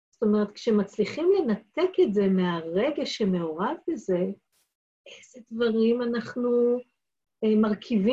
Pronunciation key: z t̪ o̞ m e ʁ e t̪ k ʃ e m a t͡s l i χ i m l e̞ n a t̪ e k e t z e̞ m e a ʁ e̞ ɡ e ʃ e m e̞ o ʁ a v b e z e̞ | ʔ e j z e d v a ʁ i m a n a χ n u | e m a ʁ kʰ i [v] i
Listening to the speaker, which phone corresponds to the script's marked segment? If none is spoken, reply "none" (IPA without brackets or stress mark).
v